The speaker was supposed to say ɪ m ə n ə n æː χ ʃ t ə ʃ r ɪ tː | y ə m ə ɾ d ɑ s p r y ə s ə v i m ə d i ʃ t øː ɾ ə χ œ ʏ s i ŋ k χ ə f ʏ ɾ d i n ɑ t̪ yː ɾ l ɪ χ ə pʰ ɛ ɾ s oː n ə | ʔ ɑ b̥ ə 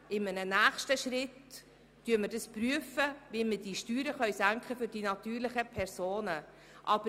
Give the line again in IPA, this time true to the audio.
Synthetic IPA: ɪ m ə n ə n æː χ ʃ t ə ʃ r ɪ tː | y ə m ə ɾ d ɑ s p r y ə f ə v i m ə d i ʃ t yː ɾ ə χ œ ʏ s æ ŋ k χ ə f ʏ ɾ d i n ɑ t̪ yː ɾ l ɪ χ ə pʰ ɛ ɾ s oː n ə | ʔ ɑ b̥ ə

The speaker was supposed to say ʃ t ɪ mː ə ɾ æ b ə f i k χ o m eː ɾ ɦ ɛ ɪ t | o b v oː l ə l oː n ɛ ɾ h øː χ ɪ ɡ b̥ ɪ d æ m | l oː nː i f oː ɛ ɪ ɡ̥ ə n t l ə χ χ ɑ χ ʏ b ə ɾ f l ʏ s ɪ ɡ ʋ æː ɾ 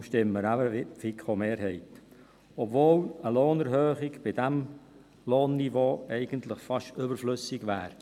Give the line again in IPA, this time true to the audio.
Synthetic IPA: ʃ t ɪ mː ə ɾ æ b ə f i k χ o m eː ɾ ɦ ɛ ɪ t | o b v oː l ə l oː n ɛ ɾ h øː χ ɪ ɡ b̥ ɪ d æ m | l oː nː i v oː ɛ ɪ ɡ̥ ə n t l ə χ f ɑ ʃ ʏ b ə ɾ f l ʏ s ɪ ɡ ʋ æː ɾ

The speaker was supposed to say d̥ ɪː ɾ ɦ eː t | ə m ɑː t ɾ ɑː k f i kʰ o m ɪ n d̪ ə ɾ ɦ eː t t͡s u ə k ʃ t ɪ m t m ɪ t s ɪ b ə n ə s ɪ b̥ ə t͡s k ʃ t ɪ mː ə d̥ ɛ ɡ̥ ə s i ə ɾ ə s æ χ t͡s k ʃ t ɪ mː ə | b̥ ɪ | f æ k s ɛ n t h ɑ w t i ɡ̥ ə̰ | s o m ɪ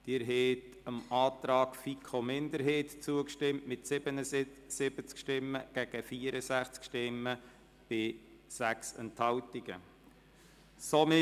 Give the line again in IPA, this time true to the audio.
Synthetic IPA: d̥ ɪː ɾ ɦ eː t | ə m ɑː t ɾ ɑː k f i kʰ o m ɪ n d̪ ə ɾ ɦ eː t t͡s u ə k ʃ t ɪ m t m ɪ t s ɪ b ə n ə s ɪ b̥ ə t͡s k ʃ t ɪ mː ə ɡ̥ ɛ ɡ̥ ə f i ə ɾ ə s æ χ t͡s k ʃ t ɪ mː ə | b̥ ɪ | s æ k s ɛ n t h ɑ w t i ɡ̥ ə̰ | s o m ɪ

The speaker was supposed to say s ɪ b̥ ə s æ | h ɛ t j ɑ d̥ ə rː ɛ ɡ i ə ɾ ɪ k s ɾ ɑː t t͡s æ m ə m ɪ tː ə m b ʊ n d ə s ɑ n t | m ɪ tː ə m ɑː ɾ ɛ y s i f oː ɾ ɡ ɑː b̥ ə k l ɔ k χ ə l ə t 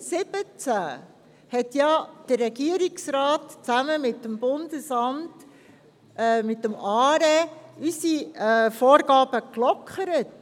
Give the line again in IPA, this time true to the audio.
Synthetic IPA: s ɪ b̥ ə t͡s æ | h ɛ t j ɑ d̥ ə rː ɛ ɡ i ə ɾ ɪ k s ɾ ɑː t t͡s æ m ə m ɪ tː ə m b ʊ n d ə s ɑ m t | m ɪ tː ə m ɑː ɾ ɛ y s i f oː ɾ ɡ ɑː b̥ ə k l ɔ k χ ə ɾ ə t

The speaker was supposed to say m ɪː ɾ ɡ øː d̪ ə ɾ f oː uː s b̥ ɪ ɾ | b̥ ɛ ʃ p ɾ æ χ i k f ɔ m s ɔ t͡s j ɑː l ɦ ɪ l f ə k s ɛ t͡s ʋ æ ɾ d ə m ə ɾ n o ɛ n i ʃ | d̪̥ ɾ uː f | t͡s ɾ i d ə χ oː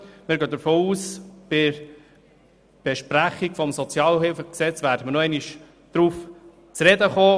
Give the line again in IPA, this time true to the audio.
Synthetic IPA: m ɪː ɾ ɡ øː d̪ ə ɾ f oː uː s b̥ ɪ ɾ | b̥ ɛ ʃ p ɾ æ χ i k f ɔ m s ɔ t͡s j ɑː l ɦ ɪ l f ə k s ɛ t͡s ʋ æ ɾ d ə m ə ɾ n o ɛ n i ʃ | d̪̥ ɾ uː f | t͡s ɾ ɛ d ə χ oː

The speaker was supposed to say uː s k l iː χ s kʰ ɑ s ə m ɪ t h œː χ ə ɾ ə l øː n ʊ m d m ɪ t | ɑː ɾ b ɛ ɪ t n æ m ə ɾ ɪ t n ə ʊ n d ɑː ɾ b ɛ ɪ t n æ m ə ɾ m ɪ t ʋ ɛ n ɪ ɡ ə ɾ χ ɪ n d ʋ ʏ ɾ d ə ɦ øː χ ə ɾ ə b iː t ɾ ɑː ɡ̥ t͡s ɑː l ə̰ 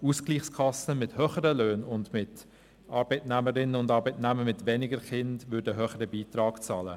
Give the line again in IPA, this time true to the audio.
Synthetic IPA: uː s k l iː χ s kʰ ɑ s ə m ɪ t h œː χ ə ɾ ə l øː n ʊ n d m ɪ t | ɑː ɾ b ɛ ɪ t n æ m ə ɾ ɪ n ə ʊ n d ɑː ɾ b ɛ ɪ t n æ m ə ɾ m ɪ t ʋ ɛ n ɪ ɡ ə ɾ χ ɪ n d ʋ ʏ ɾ d ə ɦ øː χ ə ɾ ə b iː t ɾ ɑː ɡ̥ t͡s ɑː l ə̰

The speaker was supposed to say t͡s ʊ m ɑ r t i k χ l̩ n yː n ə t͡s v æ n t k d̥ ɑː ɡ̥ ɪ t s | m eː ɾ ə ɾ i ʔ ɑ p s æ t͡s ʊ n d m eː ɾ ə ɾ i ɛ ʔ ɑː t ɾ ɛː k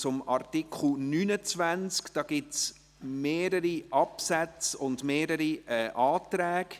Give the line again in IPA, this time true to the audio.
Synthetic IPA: t͡s ʊ m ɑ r t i k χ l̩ n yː n ə t͡s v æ n t͡s k d̥ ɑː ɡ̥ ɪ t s | m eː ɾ ə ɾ i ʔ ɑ p s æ t͡s ʊ n d m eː ɾ ə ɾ i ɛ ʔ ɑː t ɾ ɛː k

